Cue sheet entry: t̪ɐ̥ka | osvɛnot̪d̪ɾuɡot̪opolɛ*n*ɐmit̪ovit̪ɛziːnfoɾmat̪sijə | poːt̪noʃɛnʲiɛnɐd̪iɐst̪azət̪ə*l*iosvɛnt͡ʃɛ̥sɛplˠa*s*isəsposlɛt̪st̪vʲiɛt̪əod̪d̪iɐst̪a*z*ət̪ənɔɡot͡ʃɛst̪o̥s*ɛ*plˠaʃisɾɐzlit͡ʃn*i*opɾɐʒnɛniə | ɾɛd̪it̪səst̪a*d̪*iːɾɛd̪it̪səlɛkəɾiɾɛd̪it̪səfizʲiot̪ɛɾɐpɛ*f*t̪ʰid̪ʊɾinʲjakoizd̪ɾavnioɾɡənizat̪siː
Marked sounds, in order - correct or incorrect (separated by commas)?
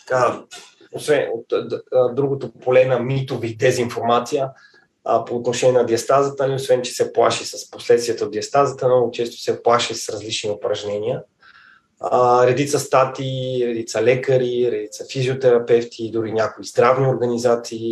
correct, correct, incorrect, correct, correct, correct, incorrect, correct